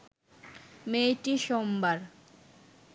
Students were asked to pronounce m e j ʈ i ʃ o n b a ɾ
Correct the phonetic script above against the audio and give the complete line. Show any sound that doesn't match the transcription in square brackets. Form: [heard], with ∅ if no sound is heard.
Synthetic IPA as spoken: m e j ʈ i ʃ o [m] b a ɾ